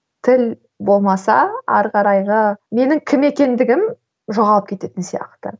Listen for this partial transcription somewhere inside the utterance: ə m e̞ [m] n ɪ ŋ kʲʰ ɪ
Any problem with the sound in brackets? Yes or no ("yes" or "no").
yes